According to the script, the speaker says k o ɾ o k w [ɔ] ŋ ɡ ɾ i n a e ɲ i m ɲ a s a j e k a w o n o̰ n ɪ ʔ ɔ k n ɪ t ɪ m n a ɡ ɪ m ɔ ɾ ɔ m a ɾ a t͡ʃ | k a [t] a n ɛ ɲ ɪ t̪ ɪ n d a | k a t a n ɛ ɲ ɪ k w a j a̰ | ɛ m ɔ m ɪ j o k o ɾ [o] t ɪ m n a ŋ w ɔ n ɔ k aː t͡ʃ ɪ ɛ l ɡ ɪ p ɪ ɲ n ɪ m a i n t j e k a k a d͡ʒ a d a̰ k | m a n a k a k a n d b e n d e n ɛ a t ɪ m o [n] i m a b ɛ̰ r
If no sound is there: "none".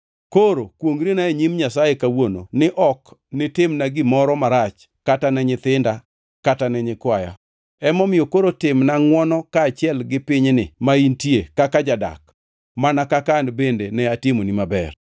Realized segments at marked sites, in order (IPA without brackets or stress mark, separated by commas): o, t, o, n